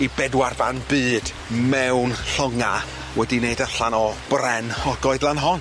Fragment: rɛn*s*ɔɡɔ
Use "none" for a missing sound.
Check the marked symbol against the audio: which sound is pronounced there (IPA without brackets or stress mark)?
h